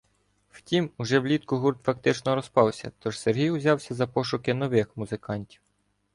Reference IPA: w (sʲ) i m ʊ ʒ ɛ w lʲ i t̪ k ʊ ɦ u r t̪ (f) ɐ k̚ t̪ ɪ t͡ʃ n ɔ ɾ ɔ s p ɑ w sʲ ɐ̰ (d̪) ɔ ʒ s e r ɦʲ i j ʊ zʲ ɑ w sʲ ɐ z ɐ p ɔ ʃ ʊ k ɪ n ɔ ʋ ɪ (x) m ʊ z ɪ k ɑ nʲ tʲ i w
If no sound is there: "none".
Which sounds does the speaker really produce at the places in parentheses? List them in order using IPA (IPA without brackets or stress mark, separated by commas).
tʲ, f, t̪, x